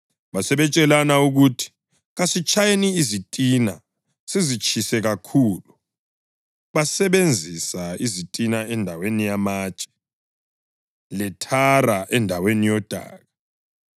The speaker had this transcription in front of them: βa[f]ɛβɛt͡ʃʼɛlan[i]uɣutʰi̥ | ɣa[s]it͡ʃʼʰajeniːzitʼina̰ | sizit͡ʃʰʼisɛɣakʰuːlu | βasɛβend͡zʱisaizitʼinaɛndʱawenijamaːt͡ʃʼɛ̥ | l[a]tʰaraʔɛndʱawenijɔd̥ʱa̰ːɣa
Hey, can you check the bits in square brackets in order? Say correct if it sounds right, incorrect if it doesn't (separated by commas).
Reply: incorrect, incorrect, correct, incorrect